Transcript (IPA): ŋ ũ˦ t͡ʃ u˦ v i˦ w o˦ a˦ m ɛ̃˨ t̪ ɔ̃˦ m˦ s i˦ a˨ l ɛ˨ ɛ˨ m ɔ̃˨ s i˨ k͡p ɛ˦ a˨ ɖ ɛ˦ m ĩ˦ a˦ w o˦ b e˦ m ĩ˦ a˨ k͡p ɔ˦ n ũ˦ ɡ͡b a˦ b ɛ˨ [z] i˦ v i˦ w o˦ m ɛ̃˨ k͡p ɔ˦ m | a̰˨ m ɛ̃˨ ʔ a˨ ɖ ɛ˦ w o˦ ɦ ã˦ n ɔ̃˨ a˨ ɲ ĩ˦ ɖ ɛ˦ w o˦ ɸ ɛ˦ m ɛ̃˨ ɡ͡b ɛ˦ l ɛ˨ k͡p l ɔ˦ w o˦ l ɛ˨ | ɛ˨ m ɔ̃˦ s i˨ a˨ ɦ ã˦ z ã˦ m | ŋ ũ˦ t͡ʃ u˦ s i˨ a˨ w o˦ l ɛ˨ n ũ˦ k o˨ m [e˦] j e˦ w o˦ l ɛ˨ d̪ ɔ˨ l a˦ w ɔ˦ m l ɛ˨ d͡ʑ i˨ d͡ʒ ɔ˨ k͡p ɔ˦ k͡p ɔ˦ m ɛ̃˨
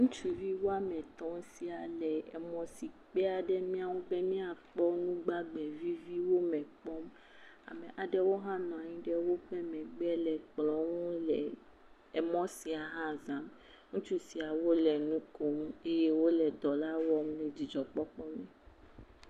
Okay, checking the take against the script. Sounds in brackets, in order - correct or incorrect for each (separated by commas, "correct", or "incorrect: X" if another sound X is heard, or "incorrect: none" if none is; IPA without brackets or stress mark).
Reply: incorrect: v, correct